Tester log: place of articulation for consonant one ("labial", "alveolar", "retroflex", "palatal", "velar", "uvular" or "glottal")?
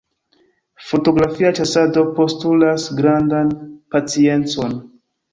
labial